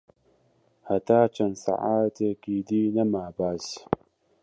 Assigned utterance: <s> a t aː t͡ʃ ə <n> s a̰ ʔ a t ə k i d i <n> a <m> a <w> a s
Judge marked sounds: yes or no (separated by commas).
no, yes, yes, yes, no